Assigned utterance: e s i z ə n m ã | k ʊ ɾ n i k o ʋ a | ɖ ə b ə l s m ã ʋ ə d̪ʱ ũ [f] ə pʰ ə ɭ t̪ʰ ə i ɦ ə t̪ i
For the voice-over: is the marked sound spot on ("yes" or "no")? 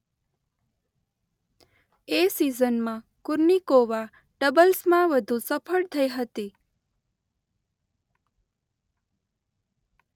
no